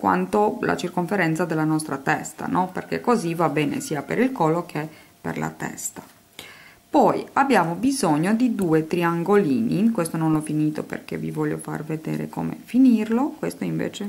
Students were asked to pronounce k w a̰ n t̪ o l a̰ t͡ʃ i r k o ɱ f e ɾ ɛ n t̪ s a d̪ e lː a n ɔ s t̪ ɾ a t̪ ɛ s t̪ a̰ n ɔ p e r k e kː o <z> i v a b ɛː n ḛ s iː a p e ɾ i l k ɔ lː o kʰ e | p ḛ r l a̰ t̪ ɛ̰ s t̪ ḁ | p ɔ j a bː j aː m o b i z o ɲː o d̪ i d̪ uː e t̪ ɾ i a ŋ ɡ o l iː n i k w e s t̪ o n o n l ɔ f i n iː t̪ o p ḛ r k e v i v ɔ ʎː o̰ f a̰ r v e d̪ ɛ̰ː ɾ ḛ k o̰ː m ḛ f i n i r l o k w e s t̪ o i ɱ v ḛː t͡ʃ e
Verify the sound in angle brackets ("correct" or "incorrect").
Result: correct